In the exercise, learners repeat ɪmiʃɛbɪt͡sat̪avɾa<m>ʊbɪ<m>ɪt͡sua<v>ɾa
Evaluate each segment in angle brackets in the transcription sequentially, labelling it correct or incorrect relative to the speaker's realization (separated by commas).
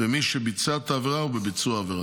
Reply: incorrect, incorrect, correct